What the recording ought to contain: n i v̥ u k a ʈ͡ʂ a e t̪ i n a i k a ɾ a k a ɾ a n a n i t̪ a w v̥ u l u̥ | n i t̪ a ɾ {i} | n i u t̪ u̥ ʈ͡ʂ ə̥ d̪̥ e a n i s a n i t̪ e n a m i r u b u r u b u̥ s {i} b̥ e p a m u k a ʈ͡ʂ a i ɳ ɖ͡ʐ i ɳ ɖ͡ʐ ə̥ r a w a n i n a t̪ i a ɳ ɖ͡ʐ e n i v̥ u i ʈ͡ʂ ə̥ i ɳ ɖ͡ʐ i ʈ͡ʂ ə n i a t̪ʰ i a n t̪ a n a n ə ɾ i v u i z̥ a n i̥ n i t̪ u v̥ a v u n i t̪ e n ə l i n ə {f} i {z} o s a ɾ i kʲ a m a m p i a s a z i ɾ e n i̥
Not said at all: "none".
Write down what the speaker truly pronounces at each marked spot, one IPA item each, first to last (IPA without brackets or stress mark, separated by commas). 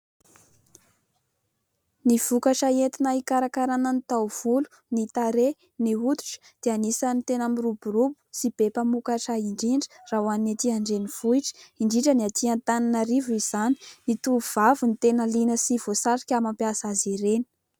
e, i, s, v